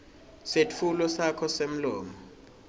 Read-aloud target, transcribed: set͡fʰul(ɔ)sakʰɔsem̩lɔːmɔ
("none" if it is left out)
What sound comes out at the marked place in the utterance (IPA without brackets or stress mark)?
ɔ